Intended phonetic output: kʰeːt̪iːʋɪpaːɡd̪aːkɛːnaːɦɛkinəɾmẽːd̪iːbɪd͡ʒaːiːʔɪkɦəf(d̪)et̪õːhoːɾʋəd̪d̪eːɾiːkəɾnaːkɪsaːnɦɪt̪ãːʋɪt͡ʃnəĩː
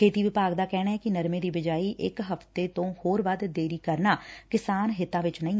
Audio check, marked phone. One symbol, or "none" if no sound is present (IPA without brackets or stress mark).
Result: t̪